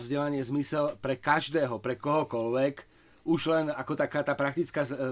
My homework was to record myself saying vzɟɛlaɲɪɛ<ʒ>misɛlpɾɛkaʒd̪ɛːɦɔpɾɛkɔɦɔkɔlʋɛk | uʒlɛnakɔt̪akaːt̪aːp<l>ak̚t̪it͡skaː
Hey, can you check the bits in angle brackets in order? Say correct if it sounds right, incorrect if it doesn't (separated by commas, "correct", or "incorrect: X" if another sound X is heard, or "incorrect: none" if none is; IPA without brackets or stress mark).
incorrect: z, incorrect: ɾ